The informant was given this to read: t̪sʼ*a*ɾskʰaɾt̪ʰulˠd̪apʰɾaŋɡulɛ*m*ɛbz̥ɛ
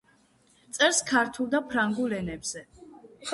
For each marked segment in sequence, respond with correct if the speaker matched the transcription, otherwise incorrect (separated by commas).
incorrect, incorrect